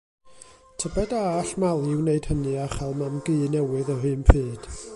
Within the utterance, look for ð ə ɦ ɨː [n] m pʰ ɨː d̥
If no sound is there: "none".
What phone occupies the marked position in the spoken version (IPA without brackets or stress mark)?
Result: none